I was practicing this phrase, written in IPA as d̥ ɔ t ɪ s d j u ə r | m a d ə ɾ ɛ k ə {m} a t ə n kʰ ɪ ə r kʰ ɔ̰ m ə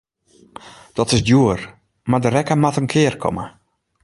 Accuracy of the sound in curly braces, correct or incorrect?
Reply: correct